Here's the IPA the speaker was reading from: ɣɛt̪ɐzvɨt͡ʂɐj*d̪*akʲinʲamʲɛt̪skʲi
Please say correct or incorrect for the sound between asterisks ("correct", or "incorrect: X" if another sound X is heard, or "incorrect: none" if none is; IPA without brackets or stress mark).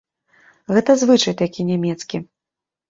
incorrect: t̪